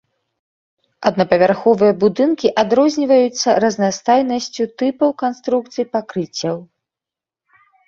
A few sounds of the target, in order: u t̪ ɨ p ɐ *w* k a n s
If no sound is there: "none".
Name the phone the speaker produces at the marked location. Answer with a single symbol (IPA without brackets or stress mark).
w